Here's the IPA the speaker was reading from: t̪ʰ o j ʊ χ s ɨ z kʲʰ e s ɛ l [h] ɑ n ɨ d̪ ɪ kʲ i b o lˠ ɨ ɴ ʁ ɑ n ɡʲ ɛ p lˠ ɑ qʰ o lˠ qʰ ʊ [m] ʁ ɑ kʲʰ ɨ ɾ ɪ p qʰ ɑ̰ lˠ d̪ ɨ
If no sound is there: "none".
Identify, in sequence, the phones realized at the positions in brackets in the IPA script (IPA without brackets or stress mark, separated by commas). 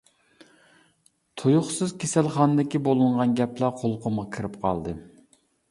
χ, m